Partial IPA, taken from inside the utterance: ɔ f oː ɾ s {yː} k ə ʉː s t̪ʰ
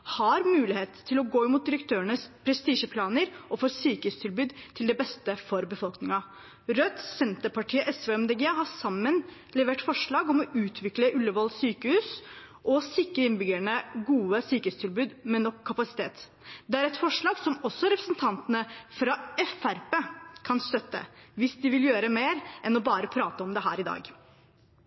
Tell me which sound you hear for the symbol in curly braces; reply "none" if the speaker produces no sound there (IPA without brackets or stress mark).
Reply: yː